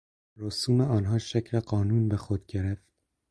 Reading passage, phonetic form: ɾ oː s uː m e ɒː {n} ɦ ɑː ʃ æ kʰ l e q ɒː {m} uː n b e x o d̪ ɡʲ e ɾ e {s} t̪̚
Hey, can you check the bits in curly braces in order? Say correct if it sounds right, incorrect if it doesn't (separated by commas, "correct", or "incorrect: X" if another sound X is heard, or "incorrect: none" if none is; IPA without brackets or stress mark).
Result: correct, incorrect: n, incorrect: f